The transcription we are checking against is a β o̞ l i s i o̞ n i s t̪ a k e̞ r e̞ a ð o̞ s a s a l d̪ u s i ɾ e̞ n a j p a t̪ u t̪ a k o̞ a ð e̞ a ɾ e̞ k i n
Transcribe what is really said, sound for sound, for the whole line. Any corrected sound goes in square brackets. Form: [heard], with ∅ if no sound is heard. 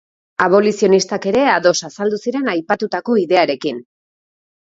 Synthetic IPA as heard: a β o̞ l i s i o̞ n i s t̪ a k e̞ [ɾ] e̞ a ð o̞ s a s a l d̪ u s i ɾ e̞ n a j p a t̪ u t̪ a k o̞ [i] ð e̞ a ɾ e̞ k i n

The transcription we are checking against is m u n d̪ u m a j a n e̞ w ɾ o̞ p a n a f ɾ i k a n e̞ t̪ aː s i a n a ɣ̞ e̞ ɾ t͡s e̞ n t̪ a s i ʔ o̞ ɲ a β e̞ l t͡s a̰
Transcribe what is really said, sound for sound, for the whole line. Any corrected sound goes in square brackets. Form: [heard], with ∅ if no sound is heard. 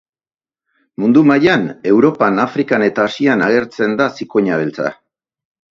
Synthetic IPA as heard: m u n d̪ u m a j a n e̞ w ɾ o̞ p a n a f ɾ i k a n e̞ t̪ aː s i a n a ɣ̞ e̞ ɾ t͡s e̞ n [d̪] a s i [k] o̞ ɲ a β e̞ l t͡s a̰

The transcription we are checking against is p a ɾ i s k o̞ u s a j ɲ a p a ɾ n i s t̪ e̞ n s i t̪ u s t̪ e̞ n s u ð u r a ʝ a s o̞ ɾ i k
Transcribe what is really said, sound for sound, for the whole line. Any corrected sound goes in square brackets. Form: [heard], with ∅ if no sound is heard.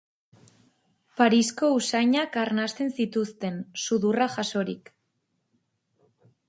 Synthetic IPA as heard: p a ɾ i s k o̞ u s a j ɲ a [k] a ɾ n [a] s t̪ e̞ n s i t̪ u s t̪ e̞ n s u ð u r a ʝ a s o̞ ɾ i k

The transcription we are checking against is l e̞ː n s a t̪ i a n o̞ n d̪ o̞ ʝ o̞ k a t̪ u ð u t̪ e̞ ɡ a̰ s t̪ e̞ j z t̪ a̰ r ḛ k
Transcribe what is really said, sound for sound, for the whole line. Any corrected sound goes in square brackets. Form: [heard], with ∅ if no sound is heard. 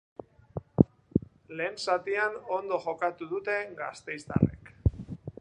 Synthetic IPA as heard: l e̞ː n s a t̪ i a n o̞ n d̪ o̞ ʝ o̞ k a t̪ u ð u t̪ e̞ ɡ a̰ s t̪ e̞ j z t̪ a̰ r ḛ k

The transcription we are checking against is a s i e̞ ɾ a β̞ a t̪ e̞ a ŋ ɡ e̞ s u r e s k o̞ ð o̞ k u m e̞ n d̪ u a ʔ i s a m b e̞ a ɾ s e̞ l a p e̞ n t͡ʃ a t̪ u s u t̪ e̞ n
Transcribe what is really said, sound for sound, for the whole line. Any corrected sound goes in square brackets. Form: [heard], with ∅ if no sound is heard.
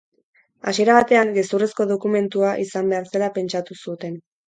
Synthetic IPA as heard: a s i e̞ ɾ a β̞ a t̪ e̞ a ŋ ɡ e̞ s u r e s k o̞ ð o̞ k u m e̞ n [t̪] u a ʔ i s a m b e̞ a ɾ s e̞ l a p e̞ n t͡ʃ a t̪ u s u t̪ e̞ n

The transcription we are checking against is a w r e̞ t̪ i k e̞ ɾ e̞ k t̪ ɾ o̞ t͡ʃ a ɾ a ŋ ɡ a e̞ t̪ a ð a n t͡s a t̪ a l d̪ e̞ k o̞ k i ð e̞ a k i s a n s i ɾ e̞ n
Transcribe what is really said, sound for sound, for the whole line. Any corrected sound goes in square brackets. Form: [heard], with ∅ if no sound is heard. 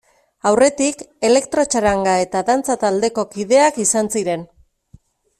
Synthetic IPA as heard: a w r e̞ t̪ i k e̞ [l] e̞ k t̪ ɾ o̞ t͡ʃ a ɾ a ŋ ɡ a e̞ t̪ a ð a n t͡s a t̪ a l d̪ e̞ k o̞ k i ð e̞ a k i s a n s i ɾ e̞ n

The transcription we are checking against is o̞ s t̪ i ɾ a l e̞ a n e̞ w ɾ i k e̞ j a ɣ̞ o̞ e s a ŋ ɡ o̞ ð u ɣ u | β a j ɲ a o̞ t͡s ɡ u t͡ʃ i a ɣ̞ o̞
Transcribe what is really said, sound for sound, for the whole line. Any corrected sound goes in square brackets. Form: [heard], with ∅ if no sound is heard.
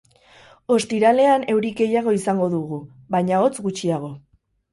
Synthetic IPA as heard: o̞ s t̪ i ɾ a l e̞ a n e̞ w ɾ i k e̞ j a ɣ̞ o̞ [i] s a ŋ ɡ o̞ ð u ɣ u | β a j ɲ a o̞ t͡s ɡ u t͡ʃ i a ɣ̞ o̞

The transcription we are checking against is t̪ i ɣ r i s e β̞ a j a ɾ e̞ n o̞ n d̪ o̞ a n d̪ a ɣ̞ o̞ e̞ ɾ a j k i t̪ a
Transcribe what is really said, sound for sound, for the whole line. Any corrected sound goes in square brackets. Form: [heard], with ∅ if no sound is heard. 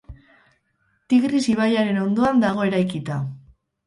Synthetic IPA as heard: t̪ i ɣ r i s [i] β̞ a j a ɾ e̞ n o̞ n d̪ o̞ a n d̪ a ɣ̞ o̞ e̞ ɾ a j k i t̪ a

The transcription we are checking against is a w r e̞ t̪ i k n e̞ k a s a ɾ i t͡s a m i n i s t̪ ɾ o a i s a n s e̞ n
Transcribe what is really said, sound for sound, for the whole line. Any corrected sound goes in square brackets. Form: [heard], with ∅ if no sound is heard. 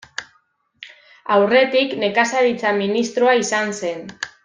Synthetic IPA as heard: a w r e̞ t̪ i k n e̞ k a s a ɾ i t͡s a m i n i s t̪ ɾ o a i s a n s e̞ n

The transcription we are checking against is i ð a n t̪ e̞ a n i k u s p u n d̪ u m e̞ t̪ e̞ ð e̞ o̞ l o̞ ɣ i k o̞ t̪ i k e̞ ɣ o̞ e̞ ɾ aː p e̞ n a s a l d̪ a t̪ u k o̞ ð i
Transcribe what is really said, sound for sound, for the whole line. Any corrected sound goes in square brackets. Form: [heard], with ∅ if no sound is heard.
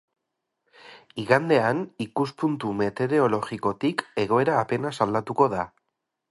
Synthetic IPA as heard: i [ɣ] a n [d̪] e̞ a n i k u s p u n [t̪] u m e̞ t̪ e̞ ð e̞ o̞ l o̞ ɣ i k o̞ t̪ i k e̞ ɣ o̞ e̞ ɾ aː p e̞ n a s a l d̪ a t̪ u k o̞ ð [a]

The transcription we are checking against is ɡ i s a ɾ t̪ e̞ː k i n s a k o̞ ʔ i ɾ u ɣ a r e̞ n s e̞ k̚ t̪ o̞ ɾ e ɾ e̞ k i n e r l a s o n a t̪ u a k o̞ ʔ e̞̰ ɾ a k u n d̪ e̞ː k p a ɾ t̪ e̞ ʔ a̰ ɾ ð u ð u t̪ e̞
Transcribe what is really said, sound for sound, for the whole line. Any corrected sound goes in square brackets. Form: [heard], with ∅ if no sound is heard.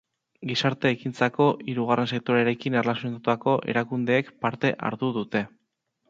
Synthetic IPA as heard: ɡ i s a ɾ t̪ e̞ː k i n [t͡s] a k o̞ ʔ i ɾ u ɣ a r e̞ n s e̞ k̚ t̪ o̞ ɾ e ɾ e̞ k i n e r l a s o n a t̪ u a k o̞ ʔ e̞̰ ɾ a k u n d̪ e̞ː k p a ɾ t̪ e̞ ʔ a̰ ɾ ð u ð u t̪ e̞

